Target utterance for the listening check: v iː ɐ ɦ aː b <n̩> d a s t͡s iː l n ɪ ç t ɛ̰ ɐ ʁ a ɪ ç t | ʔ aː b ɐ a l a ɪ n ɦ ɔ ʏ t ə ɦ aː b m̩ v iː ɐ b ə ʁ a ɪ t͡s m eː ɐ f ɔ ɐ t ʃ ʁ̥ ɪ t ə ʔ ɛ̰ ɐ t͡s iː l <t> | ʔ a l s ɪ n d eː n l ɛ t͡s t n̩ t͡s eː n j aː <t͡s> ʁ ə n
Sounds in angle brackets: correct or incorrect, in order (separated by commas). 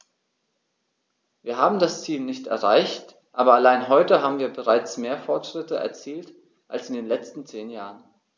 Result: incorrect, correct, incorrect